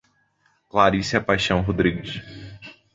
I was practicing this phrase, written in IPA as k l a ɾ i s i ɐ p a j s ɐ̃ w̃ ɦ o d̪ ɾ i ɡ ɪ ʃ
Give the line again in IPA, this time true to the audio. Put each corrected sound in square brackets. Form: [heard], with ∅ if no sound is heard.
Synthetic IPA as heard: k l a ɾ i s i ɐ p a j [ʃ] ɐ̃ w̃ ɦ o d̪ ɾ i ɡ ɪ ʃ